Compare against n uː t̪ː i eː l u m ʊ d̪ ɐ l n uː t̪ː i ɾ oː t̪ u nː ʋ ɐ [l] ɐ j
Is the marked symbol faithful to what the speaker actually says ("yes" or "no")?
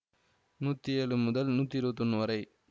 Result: no